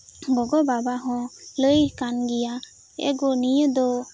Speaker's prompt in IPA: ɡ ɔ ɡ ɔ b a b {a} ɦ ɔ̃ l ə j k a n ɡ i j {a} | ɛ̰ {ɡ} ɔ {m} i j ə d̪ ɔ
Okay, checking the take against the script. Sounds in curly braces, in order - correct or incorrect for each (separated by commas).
correct, correct, correct, incorrect